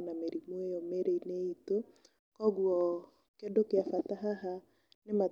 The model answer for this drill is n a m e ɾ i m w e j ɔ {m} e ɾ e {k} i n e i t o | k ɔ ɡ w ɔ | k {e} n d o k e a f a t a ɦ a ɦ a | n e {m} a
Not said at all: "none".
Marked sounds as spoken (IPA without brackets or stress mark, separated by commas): m, none, e, m